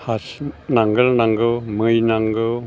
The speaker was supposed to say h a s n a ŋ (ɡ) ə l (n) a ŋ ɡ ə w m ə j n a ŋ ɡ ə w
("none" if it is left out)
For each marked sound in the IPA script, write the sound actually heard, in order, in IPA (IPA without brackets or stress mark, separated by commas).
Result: ɡ, n